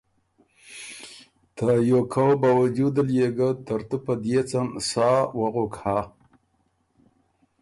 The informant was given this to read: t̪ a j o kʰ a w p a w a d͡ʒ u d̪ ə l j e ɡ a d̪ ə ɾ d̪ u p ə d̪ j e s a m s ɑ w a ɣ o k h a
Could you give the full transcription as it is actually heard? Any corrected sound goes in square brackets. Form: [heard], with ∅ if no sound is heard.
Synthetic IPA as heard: t̪ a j o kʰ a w [b] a w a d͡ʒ u d̪ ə l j e ɡ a [t̪] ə ɾ [t̪] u p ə d̪ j e [t͡s] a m s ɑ w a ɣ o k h a